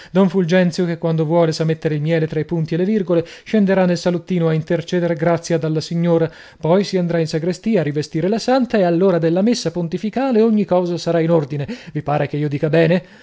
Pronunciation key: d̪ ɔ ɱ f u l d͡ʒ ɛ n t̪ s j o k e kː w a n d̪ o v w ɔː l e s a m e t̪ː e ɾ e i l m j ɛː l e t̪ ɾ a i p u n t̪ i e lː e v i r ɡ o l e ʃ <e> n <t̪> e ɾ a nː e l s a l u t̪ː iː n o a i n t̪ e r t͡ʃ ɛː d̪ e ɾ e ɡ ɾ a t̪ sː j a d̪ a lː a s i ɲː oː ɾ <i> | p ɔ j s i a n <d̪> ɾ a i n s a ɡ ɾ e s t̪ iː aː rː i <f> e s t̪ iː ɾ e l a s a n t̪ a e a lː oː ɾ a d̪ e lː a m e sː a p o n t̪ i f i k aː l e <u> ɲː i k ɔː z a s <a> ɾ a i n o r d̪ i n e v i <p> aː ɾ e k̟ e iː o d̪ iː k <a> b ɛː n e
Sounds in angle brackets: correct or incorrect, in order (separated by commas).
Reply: correct, incorrect, incorrect, correct, incorrect, incorrect, correct, correct, correct